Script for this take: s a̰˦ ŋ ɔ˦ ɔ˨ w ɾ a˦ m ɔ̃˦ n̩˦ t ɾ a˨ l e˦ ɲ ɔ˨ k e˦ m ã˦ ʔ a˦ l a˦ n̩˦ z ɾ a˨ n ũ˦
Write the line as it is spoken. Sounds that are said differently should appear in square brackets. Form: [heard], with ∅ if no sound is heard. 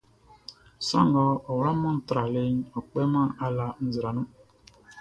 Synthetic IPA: s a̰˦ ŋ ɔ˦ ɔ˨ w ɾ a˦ m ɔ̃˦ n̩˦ t ɾ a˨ l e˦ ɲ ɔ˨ [k͡p] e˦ m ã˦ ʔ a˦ l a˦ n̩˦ z ɾ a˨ n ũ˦